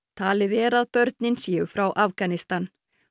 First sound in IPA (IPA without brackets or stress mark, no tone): t̪ʰ